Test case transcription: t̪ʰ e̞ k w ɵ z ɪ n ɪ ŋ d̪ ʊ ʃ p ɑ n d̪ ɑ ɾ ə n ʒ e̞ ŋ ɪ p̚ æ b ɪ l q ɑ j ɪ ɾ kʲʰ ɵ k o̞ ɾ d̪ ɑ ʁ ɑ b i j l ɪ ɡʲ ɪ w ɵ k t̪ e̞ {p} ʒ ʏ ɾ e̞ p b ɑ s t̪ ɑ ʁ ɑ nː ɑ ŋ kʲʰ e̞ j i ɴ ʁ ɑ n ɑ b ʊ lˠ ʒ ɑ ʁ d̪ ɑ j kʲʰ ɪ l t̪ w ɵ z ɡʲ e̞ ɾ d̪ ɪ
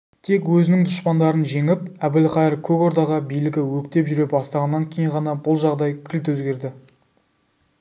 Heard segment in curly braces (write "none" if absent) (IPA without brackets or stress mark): p